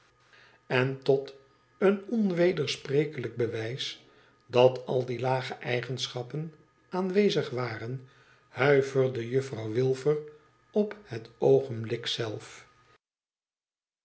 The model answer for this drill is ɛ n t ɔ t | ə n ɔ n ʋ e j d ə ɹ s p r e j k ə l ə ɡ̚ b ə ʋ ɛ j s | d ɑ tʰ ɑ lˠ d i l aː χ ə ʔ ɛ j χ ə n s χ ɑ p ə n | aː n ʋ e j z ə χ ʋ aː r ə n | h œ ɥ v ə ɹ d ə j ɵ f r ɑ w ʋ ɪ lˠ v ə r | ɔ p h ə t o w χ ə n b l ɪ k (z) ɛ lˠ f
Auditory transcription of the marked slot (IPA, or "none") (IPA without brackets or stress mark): s